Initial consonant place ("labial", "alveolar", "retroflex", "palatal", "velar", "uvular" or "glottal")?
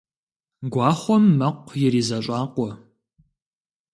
velar